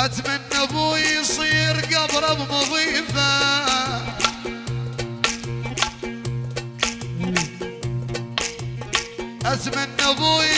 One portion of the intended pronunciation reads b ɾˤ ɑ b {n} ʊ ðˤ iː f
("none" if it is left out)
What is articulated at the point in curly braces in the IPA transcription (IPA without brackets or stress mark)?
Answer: m